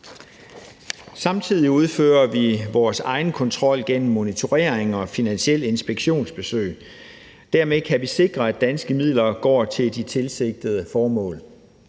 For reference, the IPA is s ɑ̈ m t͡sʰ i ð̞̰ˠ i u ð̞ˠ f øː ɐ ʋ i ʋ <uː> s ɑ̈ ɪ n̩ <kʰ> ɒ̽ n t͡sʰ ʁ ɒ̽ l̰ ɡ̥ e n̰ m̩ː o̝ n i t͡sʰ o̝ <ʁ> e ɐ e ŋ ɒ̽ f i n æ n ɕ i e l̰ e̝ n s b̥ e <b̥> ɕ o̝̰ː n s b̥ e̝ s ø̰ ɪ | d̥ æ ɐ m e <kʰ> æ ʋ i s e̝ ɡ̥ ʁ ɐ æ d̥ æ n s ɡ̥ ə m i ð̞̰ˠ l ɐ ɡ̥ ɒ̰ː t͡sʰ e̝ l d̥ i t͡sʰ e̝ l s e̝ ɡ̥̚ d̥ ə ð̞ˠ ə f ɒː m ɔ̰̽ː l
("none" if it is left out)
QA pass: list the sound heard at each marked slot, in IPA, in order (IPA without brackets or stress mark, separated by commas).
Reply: ɒː, kʰ, ʁ, ɡ̥, kʰ